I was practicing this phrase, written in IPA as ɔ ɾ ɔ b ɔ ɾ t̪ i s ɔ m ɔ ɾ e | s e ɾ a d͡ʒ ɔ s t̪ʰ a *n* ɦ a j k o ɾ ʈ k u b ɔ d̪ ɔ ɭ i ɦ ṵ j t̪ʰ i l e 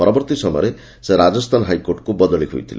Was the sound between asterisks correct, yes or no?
yes